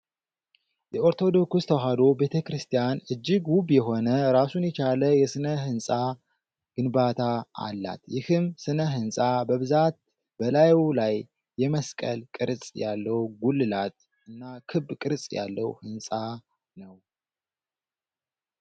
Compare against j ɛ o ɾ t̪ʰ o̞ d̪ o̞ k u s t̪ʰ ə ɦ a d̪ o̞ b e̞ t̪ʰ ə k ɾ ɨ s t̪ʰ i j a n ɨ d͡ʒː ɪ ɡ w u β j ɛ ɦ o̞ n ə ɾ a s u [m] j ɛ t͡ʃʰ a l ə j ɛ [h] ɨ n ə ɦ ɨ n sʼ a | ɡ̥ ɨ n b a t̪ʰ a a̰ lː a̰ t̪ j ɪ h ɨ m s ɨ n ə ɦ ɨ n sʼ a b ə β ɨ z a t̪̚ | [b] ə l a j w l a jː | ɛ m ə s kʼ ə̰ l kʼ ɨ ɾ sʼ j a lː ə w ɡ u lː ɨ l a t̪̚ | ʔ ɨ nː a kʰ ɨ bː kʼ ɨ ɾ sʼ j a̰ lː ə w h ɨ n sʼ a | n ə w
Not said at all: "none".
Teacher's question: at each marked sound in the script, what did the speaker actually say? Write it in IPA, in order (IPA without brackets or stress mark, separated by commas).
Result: n, s, b